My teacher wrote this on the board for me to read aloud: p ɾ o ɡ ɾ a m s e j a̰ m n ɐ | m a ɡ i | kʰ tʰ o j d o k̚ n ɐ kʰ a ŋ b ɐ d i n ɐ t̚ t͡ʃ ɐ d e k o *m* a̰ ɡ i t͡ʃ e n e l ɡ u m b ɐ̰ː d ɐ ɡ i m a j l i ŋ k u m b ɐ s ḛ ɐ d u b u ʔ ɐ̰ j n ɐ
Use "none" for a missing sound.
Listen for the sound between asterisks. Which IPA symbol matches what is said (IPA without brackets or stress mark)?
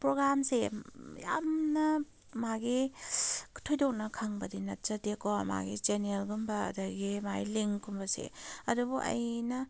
m